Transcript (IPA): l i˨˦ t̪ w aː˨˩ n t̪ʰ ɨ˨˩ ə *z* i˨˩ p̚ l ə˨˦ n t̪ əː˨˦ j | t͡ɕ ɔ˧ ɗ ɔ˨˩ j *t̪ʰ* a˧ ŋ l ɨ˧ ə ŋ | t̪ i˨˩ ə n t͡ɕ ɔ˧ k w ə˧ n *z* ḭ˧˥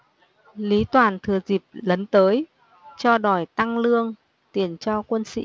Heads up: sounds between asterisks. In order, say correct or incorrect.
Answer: correct, incorrect: t̪, incorrect: s

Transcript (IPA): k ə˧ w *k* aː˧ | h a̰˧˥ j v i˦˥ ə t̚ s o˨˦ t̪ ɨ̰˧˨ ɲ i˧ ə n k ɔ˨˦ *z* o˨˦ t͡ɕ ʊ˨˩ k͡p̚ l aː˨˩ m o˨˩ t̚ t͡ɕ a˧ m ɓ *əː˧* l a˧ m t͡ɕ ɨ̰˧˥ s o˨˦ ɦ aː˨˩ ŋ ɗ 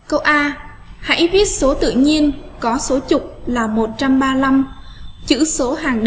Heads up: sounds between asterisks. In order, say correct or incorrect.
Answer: incorrect: ʔ, incorrect: s, incorrect: aː˧

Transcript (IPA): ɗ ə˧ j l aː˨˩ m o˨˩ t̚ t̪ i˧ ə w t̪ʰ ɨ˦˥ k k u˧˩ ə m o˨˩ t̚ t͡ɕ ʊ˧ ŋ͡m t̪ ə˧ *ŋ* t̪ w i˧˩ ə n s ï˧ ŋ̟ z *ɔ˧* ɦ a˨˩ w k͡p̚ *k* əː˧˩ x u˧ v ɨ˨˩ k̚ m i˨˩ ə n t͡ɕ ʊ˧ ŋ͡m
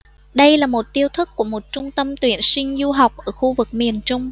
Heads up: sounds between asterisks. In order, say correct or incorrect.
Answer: incorrect: m, incorrect: u˧, incorrect: ʔ

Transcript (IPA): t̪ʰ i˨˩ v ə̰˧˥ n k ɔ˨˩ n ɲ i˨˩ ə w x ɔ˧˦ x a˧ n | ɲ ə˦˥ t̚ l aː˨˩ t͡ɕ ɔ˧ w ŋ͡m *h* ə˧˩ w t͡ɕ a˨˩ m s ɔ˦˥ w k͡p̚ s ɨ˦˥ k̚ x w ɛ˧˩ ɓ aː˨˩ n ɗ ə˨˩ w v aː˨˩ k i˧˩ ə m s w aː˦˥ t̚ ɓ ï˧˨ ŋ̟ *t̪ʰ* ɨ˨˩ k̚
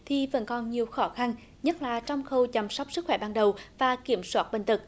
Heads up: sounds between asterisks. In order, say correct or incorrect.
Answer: incorrect: x, incorrect: t̪

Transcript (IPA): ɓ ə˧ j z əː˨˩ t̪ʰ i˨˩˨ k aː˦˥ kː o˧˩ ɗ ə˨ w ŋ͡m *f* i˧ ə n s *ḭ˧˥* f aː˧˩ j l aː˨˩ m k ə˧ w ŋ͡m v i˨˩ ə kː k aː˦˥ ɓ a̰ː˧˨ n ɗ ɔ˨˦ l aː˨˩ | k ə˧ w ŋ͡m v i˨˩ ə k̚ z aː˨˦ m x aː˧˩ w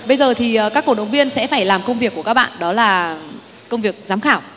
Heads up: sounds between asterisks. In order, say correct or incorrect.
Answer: incorrect: v, incorrect: ɛ̰˧˥

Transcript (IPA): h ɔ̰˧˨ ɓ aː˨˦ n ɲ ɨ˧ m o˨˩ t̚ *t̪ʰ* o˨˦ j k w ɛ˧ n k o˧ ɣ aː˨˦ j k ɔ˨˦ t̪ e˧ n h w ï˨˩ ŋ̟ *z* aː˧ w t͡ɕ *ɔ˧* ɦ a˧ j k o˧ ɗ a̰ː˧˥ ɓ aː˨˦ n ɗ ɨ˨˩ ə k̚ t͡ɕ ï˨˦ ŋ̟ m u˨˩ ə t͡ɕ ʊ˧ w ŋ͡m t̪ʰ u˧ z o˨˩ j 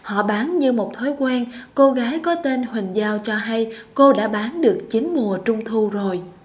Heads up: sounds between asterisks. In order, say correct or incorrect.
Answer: correct, correct, correct

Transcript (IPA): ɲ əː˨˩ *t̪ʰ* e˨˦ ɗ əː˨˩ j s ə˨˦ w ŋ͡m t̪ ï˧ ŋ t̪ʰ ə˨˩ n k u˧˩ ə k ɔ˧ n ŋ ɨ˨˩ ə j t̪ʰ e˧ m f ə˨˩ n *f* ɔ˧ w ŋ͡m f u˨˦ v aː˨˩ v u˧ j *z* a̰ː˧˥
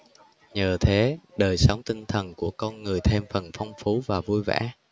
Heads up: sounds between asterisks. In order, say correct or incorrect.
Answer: correct, correct, incorrect: v

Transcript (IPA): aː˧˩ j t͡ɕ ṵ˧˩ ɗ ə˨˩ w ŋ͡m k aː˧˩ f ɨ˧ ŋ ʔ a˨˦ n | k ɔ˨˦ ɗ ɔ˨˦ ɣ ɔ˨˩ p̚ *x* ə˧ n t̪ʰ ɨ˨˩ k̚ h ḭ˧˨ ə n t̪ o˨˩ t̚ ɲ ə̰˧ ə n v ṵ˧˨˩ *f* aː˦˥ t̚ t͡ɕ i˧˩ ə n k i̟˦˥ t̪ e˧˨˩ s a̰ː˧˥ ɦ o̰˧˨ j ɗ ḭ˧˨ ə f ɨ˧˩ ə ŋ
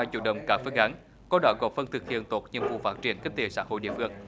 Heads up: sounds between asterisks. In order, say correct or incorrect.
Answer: incorrect: f, correct

